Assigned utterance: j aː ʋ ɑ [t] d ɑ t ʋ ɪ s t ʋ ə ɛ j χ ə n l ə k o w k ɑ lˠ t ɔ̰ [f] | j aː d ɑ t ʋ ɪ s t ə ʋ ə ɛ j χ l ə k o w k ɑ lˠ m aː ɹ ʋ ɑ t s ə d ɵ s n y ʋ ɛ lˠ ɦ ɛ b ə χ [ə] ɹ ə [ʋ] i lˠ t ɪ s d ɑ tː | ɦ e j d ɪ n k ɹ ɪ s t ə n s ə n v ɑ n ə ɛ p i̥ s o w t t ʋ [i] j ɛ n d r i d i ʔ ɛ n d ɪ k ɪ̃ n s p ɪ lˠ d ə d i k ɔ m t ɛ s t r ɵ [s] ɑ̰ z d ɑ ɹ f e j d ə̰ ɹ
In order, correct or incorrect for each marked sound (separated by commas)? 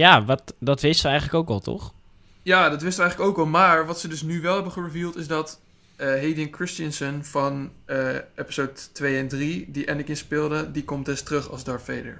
correct, incorrect, correct, incorrect, incorrect, incorrect